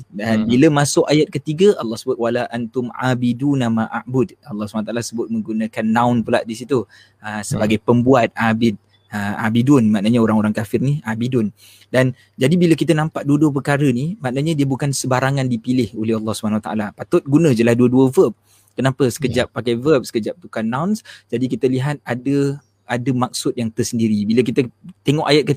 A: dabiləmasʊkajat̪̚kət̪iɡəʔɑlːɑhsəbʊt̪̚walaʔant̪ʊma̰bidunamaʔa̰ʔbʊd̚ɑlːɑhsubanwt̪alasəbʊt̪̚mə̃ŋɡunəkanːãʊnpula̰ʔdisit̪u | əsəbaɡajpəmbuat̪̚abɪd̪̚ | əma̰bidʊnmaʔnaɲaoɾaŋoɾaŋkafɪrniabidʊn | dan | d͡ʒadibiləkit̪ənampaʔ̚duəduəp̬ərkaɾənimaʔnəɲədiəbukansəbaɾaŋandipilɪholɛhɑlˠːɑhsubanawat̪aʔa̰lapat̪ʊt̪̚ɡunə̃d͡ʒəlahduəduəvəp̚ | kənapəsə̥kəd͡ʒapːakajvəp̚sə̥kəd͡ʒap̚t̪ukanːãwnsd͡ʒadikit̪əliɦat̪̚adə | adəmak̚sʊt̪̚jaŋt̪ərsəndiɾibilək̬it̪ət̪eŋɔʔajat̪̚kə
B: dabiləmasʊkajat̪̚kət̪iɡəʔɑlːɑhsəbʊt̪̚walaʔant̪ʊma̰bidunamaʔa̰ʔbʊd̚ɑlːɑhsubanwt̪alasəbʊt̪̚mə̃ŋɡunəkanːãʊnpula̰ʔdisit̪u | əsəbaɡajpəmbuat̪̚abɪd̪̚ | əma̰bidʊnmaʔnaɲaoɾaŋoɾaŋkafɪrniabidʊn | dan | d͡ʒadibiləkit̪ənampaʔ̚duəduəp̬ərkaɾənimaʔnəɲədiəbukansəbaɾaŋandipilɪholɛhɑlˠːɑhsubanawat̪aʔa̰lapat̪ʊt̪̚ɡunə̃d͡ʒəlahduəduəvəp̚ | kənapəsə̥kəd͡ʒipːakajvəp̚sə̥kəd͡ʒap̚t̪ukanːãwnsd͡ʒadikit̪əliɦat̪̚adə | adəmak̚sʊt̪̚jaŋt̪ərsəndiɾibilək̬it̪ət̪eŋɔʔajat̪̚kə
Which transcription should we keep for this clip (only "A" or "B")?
A